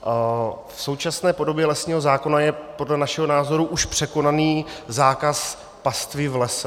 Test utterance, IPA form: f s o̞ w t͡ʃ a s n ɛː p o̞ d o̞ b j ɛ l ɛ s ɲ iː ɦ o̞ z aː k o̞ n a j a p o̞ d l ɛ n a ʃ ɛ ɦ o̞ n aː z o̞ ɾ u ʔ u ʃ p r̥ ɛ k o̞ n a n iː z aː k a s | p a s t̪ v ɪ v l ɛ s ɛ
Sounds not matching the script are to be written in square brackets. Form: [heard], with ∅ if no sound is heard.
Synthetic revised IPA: f s o̞ w t͡ʃ a s n ɛː p o̞ d o̞ b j ɛ l ɛ s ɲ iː ɦ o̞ z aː k o̞ n a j [ɛ] p o̞ d l ɛ n a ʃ ɛ ɦ o̞ n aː z o̞ ɾ u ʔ u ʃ p r̥ ɛ k o̞ n a n iː z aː k a s | p a s t̪ v ɪ v l ɛ s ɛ

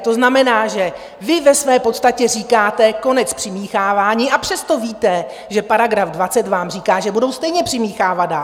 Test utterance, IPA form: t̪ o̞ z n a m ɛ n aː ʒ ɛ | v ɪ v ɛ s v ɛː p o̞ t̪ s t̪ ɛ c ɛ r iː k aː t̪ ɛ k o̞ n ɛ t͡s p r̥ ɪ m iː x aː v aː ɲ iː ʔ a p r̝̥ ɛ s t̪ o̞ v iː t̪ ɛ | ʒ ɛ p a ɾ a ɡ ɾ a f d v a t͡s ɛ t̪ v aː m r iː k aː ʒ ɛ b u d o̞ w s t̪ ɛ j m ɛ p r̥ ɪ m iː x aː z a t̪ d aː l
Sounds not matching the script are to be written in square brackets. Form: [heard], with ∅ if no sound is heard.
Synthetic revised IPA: t̪ o̞ z n a m ɛ n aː ʒ ɛ | v ɪ v ɛ s v ɛː p o̞ t̪ s t̪ [a] c ɛ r iː k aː t̪ ɛ k o̞ n ɛ t͡s p r̥ ɪ m iː x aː v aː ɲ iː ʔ a p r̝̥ ɛ s t̪ o̞ v iː t̪ ɛ | ʒ ɛ p a ɾ a ɡ ɾ a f d v a t͡s ɛ t̪ v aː m r iː k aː ʒ ɛ b u d o̞ w s t̪ ɛ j [ɲ] ɛ p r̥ ɪ m iː x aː [v] a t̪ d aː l

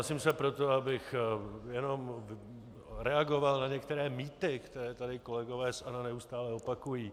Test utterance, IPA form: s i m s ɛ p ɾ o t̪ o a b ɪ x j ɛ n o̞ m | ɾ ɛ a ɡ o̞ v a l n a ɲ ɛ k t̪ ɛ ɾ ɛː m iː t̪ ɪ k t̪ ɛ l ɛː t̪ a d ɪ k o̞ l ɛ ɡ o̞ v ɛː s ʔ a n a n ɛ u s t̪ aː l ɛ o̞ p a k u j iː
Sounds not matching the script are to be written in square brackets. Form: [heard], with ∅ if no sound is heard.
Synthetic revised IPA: s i m s ɛ p ɾ o t̪ o a b ɪ x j ɛ n o̞ m | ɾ ɛ a ɡ o̞ v a l n a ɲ ɛ k t̪ ɛ ɾ ɛː m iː t̪ ɪ k t̪ ɛ [ɾ] ɛː t̪ a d ɪ k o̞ l ɛ ɡ o̞ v ɛː s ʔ a n a n ɛ u s t̪ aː l ɛ o̞ p a k u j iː

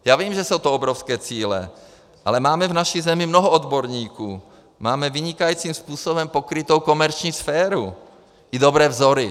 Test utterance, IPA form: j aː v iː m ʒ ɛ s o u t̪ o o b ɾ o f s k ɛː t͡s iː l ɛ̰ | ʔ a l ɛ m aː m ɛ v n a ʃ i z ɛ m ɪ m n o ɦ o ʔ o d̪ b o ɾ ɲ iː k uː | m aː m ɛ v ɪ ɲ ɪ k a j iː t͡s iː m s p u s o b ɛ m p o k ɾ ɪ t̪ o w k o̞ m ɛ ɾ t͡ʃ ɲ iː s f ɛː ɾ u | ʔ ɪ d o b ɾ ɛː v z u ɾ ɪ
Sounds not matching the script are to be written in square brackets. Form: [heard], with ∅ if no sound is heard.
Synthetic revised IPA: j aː v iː m ʒ ɛ s o [w] t̪ o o b ɾ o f s k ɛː t͡s iː l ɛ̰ | ʔ a l ɛ m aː m ɛ v n a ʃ i z ɛ m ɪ m n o ɦ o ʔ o d̪ b o ɾ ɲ iː k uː | m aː m ɛ v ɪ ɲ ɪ k a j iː t͡s iː m s p [uː] s o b ɛ m p o k ɾ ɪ t̪ o w k o̞ m ɛ ɾ t͡ʃ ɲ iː s f ɛː ɾ u | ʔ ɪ d o b ɾ ɛː v z [o] ɾ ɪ

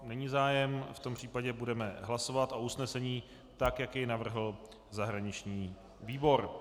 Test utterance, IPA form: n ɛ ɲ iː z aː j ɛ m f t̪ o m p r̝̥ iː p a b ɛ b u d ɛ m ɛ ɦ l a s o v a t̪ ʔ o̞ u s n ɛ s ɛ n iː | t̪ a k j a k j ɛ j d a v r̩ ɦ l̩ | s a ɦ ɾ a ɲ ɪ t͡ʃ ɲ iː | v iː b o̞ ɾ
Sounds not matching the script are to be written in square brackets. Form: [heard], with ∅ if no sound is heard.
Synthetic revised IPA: n ɛ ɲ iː z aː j ɛ m f t̪ o m p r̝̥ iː p a [ɟ] ɛ b u d ɛ m ɛ ɦ l a s o v a t̪ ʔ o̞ u s n ɛ s ɛ [ɲ] iː | t̪ a k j a k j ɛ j [n] a v r̩ ɦ l̩ | [z] a ɦ ɾ a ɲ ɪ t͡ʃ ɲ iː | v iː b o̞ ɾ

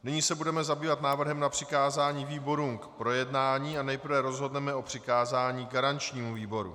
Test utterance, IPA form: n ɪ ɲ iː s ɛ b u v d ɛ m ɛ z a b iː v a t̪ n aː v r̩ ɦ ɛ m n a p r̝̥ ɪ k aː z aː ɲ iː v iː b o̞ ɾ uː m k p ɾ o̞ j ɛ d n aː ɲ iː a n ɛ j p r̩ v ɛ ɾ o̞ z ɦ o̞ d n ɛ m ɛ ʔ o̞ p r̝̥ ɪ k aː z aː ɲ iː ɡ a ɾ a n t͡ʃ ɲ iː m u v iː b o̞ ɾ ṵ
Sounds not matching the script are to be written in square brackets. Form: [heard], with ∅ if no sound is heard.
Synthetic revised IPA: n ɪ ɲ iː s ɛ b u [∅] d ɛ m ɛ z a b iː v a t̪ n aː v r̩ ɦ ɛ m n a p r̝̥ ɪ k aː z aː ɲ iː v iː b o̞ ɾ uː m k p ɾ o̞ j ɛ d n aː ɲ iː a n ɛ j p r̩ v ɛ ɾ o̞ z ɦ o̞ d n ɛ m ɛ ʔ o̞ p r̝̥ ɪ k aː z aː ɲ iː ɡ a ɾ a n t͡ʃ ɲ iː m u v iː b o̞ ɾ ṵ

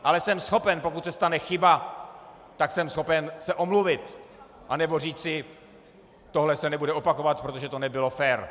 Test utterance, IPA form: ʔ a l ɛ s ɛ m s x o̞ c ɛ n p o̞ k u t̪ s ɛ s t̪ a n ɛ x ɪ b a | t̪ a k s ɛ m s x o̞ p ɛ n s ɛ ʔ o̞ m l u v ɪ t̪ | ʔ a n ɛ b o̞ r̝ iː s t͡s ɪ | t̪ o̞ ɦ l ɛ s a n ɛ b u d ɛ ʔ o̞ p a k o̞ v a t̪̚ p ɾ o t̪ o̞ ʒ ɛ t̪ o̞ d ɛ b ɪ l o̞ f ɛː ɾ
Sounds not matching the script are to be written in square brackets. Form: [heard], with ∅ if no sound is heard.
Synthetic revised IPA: ʔ a l ɛ s ɛ m s x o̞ [p] ɛ n p o̞ k u t̪ s ɛ s t̪ a n ɛ x ɪ b a | t̪ a k s ɛ m s x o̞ p ɛ n s ɛ ʔ o̞ m l u v ɪ t̪ | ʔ a n ɛ b o̞ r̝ iː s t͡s ɪ | t̪ o̞ ɦ l ɛ s [ɛ] n ɛ b u d ɛ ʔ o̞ p a k o̞ v a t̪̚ p ɾ o t̪ o̞ ʒ ɛ t̪ o̞ [n] ɛ b ɪ l o̞ f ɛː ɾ

